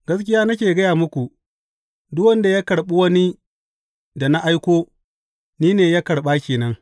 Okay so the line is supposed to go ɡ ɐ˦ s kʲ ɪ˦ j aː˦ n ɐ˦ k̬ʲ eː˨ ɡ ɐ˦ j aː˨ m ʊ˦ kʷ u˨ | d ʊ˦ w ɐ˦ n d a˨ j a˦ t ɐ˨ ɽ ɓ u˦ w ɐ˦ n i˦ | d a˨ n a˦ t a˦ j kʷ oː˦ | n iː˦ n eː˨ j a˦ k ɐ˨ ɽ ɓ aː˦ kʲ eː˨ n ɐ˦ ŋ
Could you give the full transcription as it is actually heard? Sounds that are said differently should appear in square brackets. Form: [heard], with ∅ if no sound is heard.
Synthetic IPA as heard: ɡ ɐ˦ s kʲ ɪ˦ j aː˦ n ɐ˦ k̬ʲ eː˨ ɡ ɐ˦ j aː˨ m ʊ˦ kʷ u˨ | d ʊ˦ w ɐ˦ n d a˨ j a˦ [k] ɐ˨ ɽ ɓ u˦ w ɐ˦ n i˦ | d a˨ n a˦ [ʔ] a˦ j kʷ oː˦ | n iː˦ n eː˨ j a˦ k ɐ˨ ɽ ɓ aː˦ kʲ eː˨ n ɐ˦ ŋ